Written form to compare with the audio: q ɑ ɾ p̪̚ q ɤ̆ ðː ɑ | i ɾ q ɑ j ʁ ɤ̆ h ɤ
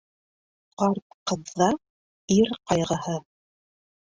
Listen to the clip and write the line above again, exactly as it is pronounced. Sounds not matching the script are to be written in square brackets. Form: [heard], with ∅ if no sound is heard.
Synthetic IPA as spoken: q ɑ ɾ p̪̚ q ɤ̆ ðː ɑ | i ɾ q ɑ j ʁ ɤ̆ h ɤ